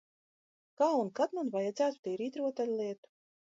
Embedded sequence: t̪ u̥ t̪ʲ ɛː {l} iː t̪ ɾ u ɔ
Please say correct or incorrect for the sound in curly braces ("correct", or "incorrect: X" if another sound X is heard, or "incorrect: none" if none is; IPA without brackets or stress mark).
incorrect: ɾ